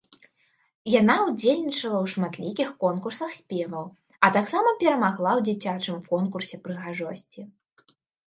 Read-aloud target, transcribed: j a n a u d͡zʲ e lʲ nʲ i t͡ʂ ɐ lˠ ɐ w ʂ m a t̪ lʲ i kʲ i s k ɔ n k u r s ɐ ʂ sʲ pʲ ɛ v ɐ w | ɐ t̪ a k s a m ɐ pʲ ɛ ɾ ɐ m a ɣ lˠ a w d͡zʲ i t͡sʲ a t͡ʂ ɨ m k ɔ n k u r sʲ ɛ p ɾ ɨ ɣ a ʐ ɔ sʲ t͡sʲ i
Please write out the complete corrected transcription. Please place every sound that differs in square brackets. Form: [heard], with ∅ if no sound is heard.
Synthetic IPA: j a n a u d͡zʲ e lʲ nʲ i t͡ʂ ɐ lˠ ɐ w ʂ m a t̪ lʲ i kʲ i [x] k ɔ n k u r s ɐ [x] sʲ pʲ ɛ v ɐ w | ɐ t̪ a k s a m ɐ pʲ ɛ ɾ ɐ m a ɣ lˠ a w d͡zʲ i t͡sʲ a t͡ʂ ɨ m k ɔ n k u r sʲ ɛ p ɾ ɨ ɣ a ʐ ɔ sʲ t͡sʲ i

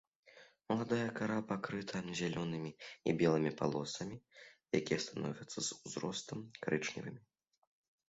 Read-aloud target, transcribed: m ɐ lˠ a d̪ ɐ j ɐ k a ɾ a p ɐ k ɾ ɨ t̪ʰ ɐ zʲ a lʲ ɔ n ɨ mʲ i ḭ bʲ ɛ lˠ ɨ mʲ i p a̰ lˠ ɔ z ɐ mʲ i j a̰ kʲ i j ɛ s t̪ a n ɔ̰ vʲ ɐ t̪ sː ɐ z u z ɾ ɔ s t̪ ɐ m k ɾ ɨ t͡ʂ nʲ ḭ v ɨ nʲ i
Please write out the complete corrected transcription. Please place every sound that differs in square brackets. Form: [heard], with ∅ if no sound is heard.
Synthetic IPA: m ɐ lˠ a d̪ [a] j ɐ k a ɾ a p [a] k ɾ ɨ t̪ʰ ɐ zʲ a lʲ ɔ n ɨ mʲ i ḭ bʲ ɛ lˠ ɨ mʲ i p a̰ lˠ ɔ [s] ɐ mʲ i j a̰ kʲ i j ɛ s t̪ a n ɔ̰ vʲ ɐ t̪ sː ɐ z u z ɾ ɔ s t̪ ɐ m k ɾ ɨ t͡ʂ nʲ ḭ v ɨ [mʲ] i

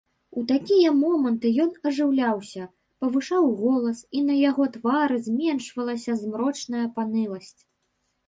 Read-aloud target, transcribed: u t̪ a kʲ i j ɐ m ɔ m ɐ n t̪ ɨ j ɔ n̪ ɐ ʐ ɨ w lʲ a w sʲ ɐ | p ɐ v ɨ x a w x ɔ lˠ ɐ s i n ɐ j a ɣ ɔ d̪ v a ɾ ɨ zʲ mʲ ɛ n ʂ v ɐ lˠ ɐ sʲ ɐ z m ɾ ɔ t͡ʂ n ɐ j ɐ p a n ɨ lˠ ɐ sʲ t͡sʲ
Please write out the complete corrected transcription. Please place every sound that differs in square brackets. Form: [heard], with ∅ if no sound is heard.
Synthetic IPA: u t̪ a kʲ i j ɐ m ɔ m ɐ n t̪ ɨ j ɔ n̪ ɐ ʐ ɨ w lʲ a w sʲ ɐ | p ɐ v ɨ [ʂ] a w [ɣ] ɔ lˠ ɐ s i n ɐ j a ɣ ɔ [t̪] v a ɾ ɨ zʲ mʲ ɛ n ʂ v ɐ lˠ ɐ sʲ ɐ z m ɾ ɔ t͡ʂ n ɐ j ɐ p a n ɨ lˠ ɐ sʲ t͡sʲ

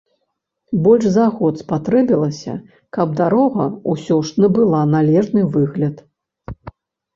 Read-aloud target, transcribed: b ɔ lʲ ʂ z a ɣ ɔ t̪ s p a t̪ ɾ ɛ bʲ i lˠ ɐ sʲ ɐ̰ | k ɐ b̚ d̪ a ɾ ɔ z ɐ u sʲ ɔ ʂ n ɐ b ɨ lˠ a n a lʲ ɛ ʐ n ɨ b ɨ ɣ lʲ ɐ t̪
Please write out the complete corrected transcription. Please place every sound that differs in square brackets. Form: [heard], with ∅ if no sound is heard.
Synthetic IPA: b ɔ lʲ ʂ z a ɣ ɔ t̪ s p a t̪ ɾ ɛ bʲ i lˠ ɐ sʲ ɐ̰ | k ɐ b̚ d̪ a ɾ ɔ [ɣ] ɐ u sʲ ɔ ʂ n ɐ b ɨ lˠ a n a lʲ ɛ ʐ n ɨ [v] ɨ ɣ lʲ ɐ t̪

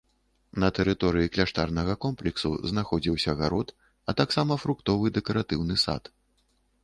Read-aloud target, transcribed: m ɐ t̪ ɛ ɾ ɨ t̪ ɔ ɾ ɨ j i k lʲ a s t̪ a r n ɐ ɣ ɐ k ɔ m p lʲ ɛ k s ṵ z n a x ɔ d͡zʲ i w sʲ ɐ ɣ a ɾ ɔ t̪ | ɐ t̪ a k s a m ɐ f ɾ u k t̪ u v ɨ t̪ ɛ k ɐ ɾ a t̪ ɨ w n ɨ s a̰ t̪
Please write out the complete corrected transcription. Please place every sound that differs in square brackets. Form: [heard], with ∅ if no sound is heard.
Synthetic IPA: [n] ɐ t̪ ɛ ɾ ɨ t̪ ɔ ɾ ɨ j i k lʲ a [ʂ] t̪ a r n ɐ ɣ ɐ k ɔ m p lʲ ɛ k s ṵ z n a x ɔ d͡zʲ i w sʲ ɐ ɣ a ɾ ɔ t̪ | ɐ t̪ a k s a m ɐ f ɾ u k t̪ [ɔ] v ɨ [d̪] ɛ k ɐ ɾ a t̪ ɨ w n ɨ s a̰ t̪

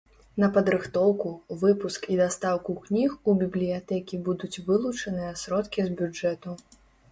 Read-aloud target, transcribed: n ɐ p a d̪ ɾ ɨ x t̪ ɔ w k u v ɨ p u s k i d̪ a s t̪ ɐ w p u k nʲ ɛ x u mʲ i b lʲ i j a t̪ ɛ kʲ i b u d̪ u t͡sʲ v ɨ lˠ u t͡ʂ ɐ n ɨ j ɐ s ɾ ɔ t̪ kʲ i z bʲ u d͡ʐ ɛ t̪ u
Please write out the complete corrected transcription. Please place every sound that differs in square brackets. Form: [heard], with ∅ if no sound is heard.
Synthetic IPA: n ɐ p [ɐ] d̪ ɾ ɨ x t̪ ɔ w k u v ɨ p u s k i d̪ a s t̪ [a] w [k] u k nʲ [i] x u [bʲ] i b lʲ i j a t̪ ɛ kʲ i b u d̪ u t͡sʲ v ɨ lˠ u t͡ʂ ɐ n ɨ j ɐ s ɾ ɔ t̪ kʲ i z bʲ u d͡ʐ ɛ t̪ u

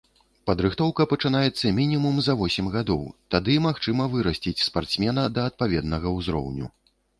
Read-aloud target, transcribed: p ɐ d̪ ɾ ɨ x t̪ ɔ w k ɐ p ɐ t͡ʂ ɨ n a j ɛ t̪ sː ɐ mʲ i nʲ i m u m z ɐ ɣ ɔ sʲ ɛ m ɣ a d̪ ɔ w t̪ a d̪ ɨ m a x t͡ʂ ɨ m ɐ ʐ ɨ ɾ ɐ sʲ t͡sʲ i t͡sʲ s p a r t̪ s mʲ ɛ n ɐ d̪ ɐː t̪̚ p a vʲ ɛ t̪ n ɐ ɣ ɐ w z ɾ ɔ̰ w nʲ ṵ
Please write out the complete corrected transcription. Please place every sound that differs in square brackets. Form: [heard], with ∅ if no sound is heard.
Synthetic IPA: p ɐ d̪ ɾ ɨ x t̪ ɔ w k ɐ p ɐ t͡ʂ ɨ n a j ɛ t̪ sː ɐ mʲ i nʲ i m u m z ɐ [v] ɔ sʲ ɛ m ɣ a d̪ ɔ w t̪ a d̪ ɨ m a x t͡ʂ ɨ m ɐ [v] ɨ ɾ ɐ sʲ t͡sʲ i t͡sʲ s p a r t̪ s mʲ ɛ n ɐ d̪ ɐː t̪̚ p a vʲ ɛ [d̪] n ɐ ɣ ɐ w z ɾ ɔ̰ w nʲ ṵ

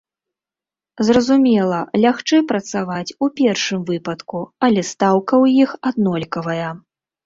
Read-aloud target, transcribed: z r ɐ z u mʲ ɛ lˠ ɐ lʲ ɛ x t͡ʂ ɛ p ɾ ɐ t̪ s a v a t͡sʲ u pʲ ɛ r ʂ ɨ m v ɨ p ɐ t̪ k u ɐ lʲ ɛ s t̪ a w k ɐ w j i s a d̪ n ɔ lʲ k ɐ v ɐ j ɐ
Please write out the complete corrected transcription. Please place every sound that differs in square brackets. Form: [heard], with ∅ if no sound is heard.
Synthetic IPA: z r ɐ z u mʲ ɛ lˠ ɐ lʲ [a] x t͡ʂ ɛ p ɾ ɐ t̪ s a v a t͡sʲ u pʲ ɛ r ʂ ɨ m v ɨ p ɐ t̪ k u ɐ lʲ ɛ s t̪ a w k ɐ w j i [x] a d̪ n ɔ lʲ k ɐ v ɐ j ɐ

